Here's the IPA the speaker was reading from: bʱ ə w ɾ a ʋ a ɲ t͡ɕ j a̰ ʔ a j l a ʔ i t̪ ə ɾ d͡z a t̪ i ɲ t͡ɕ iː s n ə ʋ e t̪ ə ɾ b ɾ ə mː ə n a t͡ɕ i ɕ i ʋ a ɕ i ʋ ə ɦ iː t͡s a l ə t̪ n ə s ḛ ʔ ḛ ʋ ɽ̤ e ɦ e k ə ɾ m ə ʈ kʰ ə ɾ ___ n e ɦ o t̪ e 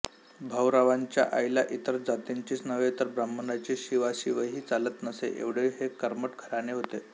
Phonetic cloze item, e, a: a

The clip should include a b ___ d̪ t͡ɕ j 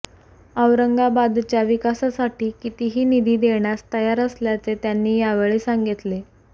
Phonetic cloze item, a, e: a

